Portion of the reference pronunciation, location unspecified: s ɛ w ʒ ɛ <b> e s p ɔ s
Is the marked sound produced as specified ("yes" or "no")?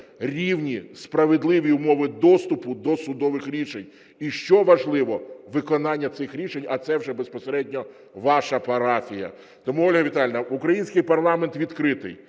yes